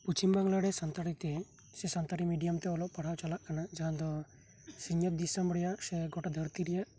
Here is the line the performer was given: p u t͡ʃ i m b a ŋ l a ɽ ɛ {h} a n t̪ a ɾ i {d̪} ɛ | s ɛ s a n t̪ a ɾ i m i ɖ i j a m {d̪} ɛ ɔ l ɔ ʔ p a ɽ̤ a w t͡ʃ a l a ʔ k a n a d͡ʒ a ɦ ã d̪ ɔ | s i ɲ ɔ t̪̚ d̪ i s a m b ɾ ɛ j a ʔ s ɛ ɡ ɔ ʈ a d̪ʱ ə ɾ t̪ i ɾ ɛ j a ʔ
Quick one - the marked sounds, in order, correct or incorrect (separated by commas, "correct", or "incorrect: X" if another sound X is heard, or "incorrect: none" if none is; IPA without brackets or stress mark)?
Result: incorrect: s, incorrect: t̪, incorrect: t̪